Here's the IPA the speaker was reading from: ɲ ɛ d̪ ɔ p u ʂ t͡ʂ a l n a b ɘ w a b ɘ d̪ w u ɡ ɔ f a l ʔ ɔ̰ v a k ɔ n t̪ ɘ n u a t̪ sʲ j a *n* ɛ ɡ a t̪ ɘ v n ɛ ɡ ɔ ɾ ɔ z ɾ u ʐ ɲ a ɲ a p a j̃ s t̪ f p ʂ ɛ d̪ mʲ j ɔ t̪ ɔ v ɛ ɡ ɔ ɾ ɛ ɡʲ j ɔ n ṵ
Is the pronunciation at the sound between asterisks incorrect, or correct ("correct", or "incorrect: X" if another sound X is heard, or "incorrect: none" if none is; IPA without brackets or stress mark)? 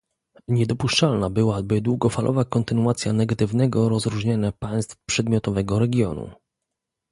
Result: correct